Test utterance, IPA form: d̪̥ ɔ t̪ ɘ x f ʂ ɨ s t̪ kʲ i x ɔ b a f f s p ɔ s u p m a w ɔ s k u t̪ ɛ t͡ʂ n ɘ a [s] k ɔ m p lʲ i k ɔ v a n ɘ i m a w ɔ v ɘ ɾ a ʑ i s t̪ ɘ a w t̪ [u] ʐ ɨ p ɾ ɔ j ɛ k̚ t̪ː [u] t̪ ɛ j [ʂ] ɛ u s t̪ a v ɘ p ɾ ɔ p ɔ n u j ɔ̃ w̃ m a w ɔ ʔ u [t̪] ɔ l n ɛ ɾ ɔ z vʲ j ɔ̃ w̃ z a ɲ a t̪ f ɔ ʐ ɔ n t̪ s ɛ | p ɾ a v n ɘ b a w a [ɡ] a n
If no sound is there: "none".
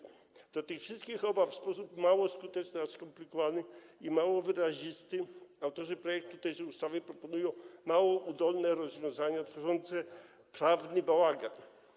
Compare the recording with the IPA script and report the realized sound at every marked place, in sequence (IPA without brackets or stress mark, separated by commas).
s, ɔ, u, ʂ, d̪, ɡ